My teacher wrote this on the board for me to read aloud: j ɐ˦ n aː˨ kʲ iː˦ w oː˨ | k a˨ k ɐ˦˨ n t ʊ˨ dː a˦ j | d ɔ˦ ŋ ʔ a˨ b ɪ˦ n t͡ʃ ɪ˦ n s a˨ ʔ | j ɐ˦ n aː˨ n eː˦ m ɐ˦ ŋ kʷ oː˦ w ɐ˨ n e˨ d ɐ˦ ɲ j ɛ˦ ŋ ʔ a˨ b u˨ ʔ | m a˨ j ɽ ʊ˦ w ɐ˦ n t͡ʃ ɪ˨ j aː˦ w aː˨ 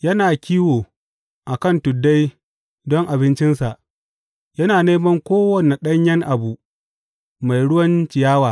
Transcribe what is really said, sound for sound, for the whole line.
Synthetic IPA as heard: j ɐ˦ n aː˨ kʲ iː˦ w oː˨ | ʔ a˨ k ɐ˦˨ n t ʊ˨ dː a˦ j | d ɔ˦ ŋ ʔ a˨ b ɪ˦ n t͡ʃ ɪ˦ n s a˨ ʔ | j ɐ˦ n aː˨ n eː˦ m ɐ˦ ŋ kʷ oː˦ w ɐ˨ n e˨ ɗ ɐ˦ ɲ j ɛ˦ ŋ ʔ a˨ b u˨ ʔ | m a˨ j ɽ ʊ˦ w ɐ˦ n t͡ʃ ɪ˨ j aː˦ w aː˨